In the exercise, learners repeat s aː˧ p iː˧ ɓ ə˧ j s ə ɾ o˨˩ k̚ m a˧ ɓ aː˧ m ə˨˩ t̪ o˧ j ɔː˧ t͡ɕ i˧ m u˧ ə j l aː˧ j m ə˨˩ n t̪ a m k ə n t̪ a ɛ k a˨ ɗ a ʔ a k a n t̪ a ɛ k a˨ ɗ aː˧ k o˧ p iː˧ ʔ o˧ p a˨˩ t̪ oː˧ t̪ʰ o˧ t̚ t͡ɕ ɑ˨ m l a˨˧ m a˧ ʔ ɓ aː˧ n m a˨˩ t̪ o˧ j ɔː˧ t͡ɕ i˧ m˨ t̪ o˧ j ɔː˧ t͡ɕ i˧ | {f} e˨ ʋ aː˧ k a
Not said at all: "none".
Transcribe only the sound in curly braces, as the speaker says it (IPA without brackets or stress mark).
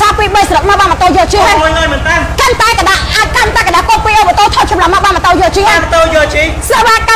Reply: s